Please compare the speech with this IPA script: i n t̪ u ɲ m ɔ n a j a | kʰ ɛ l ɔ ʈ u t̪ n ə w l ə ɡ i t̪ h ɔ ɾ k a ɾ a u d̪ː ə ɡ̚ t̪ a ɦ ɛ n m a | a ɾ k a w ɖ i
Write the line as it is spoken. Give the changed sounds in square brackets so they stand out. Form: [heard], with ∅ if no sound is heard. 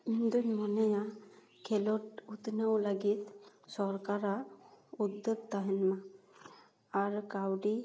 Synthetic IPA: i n [d̪] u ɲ m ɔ n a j a | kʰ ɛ l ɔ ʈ u t̪ n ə w l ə ɡ i t̪ [s] ɔ ɾ k a ɾ a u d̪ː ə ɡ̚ t̪ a ɦ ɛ n m a | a ɾ k a w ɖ i